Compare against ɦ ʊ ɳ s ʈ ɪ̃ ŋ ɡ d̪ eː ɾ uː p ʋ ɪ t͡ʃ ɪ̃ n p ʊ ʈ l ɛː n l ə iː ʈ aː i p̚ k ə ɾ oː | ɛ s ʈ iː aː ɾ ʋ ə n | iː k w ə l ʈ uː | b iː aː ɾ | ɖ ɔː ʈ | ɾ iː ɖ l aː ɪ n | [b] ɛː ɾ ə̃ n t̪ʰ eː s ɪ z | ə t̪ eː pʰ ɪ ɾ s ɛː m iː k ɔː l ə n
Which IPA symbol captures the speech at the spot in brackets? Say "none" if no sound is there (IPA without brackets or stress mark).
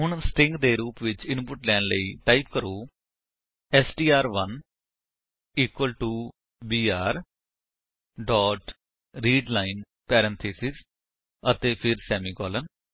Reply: p